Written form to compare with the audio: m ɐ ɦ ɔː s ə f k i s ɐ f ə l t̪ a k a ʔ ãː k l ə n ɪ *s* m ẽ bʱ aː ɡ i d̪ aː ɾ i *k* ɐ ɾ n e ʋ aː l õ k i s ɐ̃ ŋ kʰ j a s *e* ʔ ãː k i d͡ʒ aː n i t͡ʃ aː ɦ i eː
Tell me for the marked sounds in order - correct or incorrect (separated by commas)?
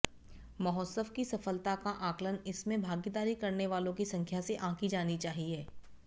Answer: correct, correct, correct